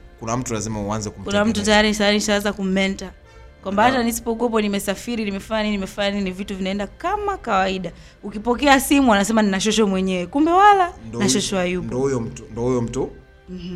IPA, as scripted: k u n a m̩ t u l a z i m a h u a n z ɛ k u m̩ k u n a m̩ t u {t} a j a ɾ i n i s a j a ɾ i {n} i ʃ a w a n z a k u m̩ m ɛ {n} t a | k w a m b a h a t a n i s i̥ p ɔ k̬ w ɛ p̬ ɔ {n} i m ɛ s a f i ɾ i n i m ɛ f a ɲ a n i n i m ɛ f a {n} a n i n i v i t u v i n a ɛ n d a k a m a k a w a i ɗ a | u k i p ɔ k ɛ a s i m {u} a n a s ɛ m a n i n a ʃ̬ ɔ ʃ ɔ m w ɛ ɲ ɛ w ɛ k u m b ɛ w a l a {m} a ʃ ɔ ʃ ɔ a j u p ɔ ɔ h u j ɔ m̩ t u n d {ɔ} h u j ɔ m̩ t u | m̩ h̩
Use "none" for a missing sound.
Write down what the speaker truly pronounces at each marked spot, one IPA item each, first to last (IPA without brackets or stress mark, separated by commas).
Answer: t, n, n, n, ɲ, u, n, ɔ